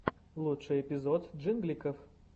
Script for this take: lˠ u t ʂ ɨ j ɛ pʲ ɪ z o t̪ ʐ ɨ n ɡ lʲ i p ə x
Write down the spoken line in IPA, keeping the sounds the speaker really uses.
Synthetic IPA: lˠ u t ʂ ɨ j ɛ pʲ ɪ z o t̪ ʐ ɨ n ɡ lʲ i k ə f